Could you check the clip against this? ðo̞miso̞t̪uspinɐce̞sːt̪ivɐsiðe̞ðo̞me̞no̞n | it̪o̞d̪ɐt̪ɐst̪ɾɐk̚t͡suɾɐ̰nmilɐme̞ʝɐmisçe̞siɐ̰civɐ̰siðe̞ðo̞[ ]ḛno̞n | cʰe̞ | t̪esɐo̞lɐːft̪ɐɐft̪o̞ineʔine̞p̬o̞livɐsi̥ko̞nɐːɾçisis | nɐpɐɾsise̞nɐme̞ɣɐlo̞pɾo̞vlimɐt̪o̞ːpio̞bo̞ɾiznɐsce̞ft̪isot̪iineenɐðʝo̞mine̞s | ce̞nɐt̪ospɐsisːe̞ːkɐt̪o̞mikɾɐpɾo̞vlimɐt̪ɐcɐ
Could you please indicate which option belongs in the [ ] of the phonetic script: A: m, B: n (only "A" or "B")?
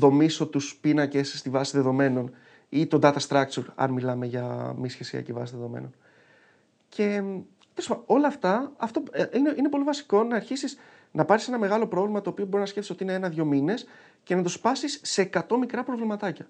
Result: A